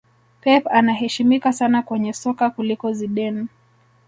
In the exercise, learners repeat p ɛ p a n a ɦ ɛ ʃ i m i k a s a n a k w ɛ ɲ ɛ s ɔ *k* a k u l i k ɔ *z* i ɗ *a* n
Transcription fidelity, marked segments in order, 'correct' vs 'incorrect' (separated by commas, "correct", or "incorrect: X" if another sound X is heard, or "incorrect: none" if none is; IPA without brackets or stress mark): correct, correct, incorrect: ɛ